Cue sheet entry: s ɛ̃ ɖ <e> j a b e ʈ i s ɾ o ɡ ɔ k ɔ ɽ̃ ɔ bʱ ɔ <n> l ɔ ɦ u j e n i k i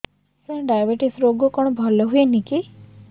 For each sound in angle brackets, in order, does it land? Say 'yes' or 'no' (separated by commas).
no, no